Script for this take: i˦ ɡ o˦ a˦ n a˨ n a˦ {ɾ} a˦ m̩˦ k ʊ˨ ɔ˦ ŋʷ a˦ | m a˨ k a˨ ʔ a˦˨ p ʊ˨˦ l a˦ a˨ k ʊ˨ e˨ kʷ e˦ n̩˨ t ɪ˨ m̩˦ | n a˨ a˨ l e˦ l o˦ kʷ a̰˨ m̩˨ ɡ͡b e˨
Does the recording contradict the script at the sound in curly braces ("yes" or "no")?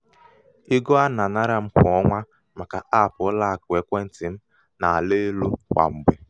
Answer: no